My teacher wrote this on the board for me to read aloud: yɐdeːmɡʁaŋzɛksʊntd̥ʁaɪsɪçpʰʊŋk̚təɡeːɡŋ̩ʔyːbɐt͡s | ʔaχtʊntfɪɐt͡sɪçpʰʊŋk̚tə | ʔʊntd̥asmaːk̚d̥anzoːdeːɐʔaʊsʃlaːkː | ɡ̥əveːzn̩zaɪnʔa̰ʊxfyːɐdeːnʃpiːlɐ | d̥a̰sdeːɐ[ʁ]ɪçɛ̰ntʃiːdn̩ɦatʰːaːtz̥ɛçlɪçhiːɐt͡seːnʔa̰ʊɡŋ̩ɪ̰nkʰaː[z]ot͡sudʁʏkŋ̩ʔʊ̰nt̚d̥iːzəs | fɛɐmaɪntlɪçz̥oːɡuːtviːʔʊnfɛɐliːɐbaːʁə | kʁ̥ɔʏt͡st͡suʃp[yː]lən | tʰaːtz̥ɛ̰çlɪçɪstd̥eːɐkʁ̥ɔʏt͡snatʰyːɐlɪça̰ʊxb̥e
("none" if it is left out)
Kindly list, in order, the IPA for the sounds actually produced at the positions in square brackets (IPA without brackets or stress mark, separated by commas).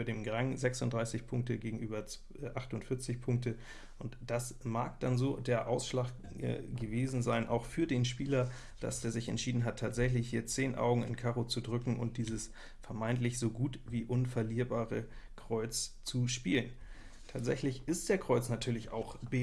z, ʁ, iː